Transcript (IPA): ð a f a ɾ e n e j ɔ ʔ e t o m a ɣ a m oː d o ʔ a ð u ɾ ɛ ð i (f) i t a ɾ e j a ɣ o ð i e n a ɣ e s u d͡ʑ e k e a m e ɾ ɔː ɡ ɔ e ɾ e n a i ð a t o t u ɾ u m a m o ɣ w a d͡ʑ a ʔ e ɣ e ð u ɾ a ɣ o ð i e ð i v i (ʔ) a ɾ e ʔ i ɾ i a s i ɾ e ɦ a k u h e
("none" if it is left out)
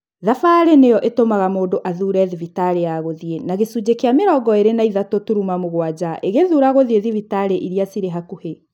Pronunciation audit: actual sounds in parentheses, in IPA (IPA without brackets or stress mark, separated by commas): v, t